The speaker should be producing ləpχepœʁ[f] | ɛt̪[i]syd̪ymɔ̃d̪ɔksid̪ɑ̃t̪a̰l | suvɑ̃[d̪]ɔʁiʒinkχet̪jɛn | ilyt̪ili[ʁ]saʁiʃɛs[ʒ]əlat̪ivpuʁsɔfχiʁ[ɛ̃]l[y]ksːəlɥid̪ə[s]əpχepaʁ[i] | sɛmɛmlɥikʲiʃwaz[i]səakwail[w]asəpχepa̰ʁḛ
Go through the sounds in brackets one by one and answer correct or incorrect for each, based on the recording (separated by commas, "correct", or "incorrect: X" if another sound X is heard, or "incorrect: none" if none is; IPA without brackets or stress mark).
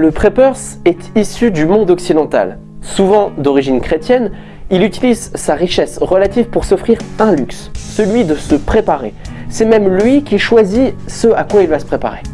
incorrect: s, correct, correct, incorrect: z, incorrect: ʁ, correct, correct, correct, incorrect: e, correct, incorrect: v